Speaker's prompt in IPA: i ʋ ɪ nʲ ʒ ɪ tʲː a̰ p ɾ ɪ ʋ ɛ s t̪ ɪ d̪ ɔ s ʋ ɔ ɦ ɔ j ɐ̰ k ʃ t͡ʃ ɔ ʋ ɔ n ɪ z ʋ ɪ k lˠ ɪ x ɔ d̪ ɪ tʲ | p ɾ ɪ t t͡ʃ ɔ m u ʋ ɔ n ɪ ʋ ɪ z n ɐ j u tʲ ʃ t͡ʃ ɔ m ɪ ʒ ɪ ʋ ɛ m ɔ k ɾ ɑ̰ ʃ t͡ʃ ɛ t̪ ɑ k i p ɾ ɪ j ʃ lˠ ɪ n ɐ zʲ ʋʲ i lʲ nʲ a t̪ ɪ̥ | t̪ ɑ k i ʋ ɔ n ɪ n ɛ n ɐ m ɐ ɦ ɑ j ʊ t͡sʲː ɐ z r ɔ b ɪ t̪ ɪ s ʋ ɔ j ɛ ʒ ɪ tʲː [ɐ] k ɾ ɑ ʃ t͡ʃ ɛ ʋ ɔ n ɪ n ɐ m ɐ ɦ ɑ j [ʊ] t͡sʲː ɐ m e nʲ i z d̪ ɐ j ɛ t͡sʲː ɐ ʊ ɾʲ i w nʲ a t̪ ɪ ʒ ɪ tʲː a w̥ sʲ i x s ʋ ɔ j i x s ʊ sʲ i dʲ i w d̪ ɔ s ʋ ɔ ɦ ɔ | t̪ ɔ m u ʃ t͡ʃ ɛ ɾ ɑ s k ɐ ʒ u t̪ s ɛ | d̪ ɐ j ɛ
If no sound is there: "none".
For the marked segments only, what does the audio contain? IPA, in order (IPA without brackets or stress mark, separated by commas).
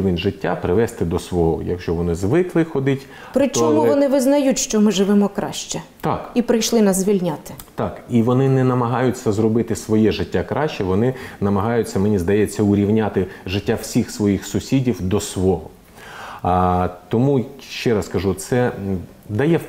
a, ʊ